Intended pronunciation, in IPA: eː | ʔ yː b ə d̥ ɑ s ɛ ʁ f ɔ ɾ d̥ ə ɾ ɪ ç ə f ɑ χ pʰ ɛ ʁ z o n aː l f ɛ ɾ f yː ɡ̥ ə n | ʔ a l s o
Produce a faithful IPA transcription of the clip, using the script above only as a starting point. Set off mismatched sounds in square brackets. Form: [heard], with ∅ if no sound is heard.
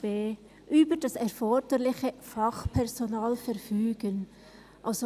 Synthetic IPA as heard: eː | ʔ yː b ə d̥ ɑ s ɛ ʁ f ɔ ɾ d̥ ə [l] ɪ ç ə f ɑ χ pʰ ɛ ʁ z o n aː l f ɛ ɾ f yː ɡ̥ ə n | ʔ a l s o